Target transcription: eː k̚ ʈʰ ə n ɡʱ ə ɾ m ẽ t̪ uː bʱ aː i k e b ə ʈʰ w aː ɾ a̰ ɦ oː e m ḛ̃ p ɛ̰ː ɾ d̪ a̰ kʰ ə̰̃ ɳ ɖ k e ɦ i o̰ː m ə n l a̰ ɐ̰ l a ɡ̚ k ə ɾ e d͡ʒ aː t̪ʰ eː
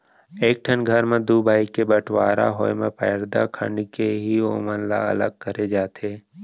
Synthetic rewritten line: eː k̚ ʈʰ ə n ɡʱ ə ɾ m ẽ d̪ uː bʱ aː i k e b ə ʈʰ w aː ɾ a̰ ɦ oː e m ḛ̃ p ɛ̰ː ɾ d̪ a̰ kʰ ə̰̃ ɳ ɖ k e ɦ i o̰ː m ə n l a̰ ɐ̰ l ə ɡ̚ k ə ɾ e d͡ʒ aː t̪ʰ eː